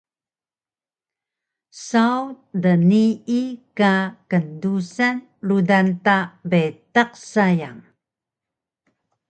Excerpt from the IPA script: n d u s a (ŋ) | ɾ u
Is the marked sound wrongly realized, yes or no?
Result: yes